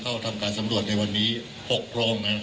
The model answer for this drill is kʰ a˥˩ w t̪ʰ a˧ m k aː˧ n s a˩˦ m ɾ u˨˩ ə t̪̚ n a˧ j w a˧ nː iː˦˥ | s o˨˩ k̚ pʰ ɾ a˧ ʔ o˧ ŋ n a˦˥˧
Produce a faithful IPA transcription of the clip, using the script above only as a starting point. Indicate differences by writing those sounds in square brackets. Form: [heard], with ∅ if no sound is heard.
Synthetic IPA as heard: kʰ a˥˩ w t̪ʰ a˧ m k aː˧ n s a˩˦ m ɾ u˨˩ ə t̪̚ n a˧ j w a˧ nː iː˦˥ | [h] o˨˩ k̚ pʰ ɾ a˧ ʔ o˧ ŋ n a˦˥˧